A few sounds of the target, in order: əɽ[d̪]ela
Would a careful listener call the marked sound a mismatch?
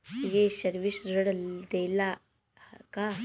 no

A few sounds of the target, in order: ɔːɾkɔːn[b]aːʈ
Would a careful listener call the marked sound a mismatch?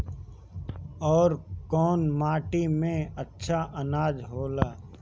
yes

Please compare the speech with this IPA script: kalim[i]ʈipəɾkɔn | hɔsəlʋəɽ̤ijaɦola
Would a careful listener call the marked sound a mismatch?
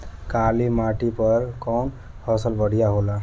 yes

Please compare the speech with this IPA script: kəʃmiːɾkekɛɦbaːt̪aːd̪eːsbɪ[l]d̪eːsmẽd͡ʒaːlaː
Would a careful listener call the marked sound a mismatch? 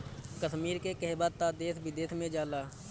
yes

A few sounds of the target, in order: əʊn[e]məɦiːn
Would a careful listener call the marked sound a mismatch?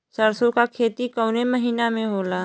no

